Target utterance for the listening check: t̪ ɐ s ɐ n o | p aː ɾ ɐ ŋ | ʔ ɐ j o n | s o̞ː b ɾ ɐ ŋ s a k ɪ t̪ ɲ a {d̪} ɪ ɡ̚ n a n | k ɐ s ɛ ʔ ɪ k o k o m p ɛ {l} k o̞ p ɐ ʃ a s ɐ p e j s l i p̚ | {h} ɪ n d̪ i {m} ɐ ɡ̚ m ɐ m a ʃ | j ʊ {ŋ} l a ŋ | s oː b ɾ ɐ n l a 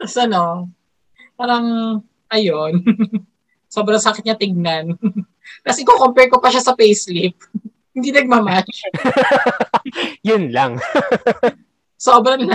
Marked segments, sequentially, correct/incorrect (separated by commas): incorrect, incorrect, correct, incorrect, incorrect